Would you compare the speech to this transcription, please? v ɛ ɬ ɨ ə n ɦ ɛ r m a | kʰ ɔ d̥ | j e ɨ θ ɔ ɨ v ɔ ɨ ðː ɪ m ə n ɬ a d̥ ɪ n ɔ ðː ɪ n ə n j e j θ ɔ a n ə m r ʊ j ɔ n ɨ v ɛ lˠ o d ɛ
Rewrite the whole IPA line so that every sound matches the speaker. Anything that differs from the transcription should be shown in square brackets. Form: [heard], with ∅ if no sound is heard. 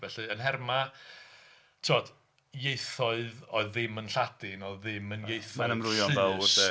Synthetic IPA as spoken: v ɛ ɬ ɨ ə n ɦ ɛ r m a | [tʰ] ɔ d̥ | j e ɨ θ ɔ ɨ [ð] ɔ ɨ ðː ɪ m ə n ɬ a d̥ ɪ n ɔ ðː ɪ [m] ə n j e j θ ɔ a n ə m r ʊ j ɔ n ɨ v ɛ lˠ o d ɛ